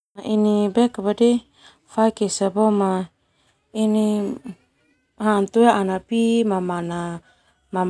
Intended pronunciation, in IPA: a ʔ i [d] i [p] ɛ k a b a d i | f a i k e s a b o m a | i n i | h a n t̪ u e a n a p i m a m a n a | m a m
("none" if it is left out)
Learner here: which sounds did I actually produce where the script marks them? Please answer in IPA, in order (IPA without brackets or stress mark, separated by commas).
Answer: n, b